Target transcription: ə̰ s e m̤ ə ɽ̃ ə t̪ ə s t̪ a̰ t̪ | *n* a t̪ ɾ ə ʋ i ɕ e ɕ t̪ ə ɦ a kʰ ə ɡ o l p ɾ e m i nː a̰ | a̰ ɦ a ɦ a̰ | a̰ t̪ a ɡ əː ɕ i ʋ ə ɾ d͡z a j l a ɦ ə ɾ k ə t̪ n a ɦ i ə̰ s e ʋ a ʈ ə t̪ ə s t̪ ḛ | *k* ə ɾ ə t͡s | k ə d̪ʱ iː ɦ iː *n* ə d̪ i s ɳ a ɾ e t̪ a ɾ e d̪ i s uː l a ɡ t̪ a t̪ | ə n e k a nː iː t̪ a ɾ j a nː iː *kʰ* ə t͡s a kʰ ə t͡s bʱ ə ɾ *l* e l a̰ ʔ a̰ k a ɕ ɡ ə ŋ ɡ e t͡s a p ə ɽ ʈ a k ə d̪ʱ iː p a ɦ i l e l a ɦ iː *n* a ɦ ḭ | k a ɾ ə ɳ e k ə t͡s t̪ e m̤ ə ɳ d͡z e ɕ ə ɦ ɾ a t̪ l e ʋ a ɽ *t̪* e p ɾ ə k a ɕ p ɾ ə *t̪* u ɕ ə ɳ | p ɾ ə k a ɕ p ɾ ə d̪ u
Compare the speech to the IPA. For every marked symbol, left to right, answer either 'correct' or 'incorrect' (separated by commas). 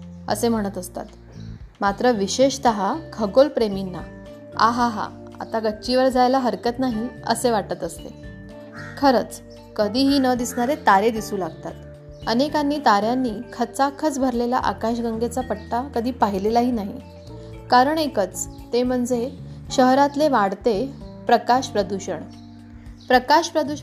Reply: incorrect, incorrect, correct, correct, correct, correct, correct, incorrect